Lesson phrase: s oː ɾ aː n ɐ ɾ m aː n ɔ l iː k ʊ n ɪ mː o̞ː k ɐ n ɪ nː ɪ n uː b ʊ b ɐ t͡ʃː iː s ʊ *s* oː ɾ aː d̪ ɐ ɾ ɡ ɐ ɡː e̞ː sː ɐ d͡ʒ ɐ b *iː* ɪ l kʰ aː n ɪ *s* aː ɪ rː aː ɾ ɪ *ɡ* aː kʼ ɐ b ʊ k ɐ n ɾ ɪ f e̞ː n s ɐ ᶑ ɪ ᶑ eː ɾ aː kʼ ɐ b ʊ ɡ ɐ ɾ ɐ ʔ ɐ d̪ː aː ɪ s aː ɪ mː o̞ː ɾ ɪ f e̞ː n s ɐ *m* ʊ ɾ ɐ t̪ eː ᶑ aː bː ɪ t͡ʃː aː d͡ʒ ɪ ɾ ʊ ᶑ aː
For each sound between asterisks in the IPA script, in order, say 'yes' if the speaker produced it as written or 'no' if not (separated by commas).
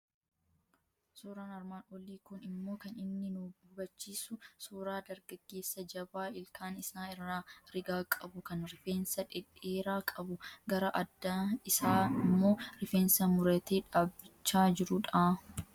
yes, no, yes, yes, yes